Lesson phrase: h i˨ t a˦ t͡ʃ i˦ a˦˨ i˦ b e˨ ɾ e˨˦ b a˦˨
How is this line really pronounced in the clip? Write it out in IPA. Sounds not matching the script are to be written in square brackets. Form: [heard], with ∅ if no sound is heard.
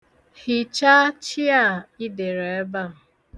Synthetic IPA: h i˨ [t͡ʃ] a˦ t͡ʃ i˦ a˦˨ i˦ [d] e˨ ɾ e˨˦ b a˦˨